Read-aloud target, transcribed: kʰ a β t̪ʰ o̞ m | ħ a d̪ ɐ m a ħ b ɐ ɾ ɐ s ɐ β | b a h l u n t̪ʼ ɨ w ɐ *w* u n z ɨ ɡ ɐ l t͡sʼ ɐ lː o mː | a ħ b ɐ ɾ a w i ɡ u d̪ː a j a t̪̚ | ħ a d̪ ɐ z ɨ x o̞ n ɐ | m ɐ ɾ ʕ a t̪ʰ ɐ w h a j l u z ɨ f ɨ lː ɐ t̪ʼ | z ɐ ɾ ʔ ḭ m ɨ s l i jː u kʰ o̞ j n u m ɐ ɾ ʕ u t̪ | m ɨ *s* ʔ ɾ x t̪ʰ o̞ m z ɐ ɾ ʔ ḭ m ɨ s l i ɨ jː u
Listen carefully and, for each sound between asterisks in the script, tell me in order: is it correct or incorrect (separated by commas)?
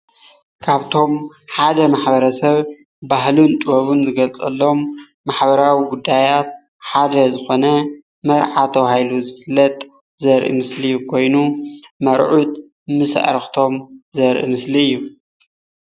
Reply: incorrect, correct